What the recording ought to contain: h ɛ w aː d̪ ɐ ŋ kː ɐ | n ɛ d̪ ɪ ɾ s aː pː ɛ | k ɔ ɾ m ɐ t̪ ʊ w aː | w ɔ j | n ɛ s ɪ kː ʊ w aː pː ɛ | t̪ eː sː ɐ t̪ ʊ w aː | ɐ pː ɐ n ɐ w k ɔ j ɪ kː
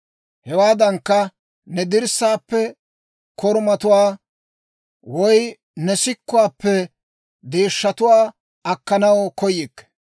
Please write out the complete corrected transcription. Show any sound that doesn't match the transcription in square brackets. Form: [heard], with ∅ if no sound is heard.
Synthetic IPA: h ɛ w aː d̪ ɐ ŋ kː ɐ | n ɛ d̪ ɪ ɾ s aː pː ɛ | k ɔ ɾ m ɐ t̪ ʊ w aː | w ɔ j | n ɛ s ɪ kː ʊ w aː pː ɛ | [d̪] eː [ʃː] ɐ t̪ ʊ w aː | ɐ [kː] ɐ n ɐ w k ɔ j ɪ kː